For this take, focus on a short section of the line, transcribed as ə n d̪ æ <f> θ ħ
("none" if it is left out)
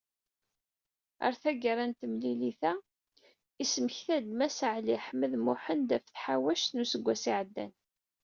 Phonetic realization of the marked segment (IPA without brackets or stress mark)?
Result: f